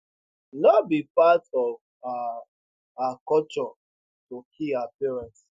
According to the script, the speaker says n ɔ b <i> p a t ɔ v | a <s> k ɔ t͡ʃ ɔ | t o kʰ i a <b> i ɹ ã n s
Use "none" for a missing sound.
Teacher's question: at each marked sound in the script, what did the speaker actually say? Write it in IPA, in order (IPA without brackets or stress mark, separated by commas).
i, none, p